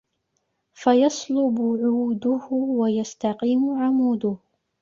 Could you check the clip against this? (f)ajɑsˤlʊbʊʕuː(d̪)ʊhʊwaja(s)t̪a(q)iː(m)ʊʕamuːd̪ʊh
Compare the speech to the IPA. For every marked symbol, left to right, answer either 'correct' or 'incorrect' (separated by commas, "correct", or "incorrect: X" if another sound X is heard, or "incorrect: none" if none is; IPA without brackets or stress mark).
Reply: correct, correct, correct, correct, correct